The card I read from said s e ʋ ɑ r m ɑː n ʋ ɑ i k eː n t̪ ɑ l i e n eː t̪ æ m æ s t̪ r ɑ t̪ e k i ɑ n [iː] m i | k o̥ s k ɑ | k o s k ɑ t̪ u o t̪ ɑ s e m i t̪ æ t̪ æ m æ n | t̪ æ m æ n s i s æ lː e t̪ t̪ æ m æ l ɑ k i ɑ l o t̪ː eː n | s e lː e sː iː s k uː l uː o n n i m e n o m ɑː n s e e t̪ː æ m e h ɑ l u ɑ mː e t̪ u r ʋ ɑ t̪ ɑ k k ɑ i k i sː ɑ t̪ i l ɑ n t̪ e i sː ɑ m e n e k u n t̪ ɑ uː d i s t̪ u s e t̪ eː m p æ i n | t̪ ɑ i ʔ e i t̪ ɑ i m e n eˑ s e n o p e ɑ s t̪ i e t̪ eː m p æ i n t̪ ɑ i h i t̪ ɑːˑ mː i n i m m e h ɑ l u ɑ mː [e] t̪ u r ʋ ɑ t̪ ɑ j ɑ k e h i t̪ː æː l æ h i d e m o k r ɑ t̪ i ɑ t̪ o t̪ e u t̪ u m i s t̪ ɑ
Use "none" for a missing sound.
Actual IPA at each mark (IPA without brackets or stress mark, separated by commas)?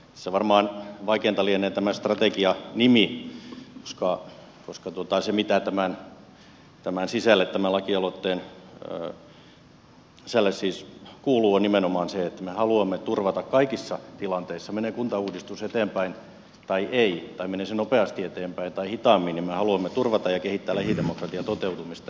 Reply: i, e